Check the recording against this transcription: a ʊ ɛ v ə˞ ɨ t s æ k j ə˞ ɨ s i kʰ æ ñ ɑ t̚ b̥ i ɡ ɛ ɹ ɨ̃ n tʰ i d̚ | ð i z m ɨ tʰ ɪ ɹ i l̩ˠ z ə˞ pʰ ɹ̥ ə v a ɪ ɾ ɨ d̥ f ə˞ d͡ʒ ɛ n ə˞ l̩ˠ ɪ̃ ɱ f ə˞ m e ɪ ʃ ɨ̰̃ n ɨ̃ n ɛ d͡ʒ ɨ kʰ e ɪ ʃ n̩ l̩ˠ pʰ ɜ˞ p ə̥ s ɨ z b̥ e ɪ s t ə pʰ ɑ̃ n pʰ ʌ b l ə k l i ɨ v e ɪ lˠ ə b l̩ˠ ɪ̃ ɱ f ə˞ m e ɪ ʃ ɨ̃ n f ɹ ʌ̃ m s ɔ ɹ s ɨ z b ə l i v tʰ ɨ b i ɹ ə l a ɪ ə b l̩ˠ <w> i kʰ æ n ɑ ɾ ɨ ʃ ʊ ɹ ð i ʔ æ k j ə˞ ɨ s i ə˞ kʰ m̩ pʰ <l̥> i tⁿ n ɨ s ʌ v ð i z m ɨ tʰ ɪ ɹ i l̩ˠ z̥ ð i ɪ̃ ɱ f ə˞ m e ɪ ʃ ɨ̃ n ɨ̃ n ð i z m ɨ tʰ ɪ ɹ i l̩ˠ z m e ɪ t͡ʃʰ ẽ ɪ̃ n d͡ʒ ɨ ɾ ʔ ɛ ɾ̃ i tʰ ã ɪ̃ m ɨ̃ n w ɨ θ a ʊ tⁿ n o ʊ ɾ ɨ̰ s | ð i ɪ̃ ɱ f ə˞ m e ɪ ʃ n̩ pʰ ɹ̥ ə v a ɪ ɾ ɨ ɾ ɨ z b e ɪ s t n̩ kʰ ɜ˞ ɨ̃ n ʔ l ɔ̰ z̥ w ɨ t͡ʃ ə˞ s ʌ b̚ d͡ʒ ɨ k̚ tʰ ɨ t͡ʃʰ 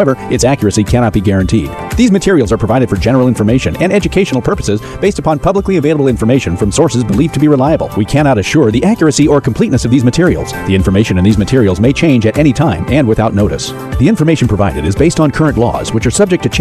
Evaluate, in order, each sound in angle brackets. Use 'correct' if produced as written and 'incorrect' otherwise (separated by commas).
correct, correct